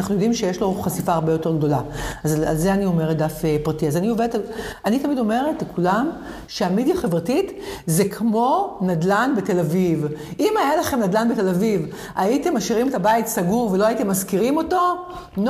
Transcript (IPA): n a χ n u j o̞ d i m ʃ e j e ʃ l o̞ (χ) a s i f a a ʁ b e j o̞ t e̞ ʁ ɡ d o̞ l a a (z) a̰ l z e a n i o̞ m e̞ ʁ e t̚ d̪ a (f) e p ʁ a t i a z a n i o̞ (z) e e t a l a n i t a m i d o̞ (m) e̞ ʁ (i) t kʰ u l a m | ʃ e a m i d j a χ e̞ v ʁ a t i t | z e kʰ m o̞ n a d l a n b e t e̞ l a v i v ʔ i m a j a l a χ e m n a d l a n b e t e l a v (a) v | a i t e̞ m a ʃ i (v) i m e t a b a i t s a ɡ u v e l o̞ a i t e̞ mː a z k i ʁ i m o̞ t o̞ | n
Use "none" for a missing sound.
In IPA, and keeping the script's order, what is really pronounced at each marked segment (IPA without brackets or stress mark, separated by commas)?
χ, z, f, v, m, e, i, ʁ